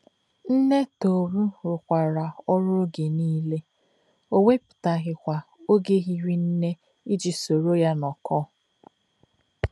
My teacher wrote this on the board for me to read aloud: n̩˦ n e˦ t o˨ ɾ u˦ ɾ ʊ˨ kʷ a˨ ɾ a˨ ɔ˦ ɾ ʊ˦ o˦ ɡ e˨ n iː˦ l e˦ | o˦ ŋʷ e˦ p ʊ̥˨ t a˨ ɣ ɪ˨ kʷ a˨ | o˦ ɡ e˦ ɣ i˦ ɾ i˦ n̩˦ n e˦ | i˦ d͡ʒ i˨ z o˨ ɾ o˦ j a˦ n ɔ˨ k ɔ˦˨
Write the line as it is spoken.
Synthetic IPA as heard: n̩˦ n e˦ t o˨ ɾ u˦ ɾ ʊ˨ kʷ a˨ ɾ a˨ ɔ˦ ɾ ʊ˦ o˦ ɡ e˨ n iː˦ l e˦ | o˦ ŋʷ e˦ p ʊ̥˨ t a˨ ɣ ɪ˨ kʷ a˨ | o˦ ɡ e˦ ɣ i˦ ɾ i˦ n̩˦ n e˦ | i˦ d͡ʒ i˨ s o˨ ɾ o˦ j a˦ n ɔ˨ k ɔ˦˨